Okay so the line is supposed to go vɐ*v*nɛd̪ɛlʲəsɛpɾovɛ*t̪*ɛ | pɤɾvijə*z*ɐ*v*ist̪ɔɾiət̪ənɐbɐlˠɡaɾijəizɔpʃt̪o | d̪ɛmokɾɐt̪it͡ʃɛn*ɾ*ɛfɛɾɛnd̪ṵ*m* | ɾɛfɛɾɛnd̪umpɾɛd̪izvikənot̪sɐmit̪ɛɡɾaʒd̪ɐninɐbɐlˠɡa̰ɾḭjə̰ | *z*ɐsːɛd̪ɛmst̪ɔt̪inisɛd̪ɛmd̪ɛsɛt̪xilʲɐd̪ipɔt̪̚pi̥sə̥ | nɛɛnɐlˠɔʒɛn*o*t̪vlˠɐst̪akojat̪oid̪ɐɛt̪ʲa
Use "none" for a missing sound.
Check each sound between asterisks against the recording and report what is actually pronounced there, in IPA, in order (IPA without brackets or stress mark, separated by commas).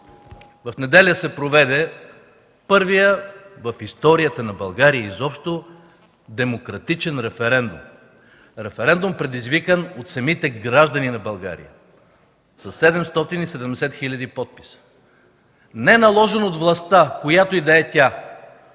f, d̪, v, f, ɾ, m, s, o